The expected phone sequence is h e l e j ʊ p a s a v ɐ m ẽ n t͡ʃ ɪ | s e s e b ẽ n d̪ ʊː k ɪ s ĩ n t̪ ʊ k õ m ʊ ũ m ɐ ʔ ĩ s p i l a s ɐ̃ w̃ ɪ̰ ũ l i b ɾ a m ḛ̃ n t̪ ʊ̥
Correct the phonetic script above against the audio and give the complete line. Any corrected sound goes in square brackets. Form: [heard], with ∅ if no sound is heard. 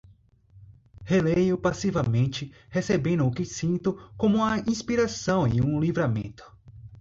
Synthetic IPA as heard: h e l e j ʊ p a s [i] v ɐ m ẽ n t͡ʃ ɪ | [h] e s e b ẽ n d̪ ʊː k ɪ s ĩ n t̪ ʊ k õ m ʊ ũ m ɐ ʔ ĩ s p i [ɾ] a s ɐ̃ w̃ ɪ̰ ũ l i [v] ɾ a m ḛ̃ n t̪ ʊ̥